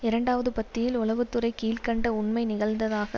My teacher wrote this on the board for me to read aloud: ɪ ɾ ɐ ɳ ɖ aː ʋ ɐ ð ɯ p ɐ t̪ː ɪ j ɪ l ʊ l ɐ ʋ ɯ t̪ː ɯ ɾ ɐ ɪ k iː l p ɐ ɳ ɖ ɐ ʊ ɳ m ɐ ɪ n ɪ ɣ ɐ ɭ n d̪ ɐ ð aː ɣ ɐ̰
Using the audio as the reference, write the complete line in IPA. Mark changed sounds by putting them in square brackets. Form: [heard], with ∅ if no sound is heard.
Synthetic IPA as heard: ɪ ɾ ɐ ɳ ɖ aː ʋ ɐ ð ɯ p ɐ t̪ː ɪ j ɪ l ʊ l ɐ ʋ ɯ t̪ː ɯ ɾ ɐ ɪ k iː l [k] ɐ ɳ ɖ ɐ ʊ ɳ m ɐ ɪ n ɪ ɣ ɐ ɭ n d̪ ɐ ð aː ɣ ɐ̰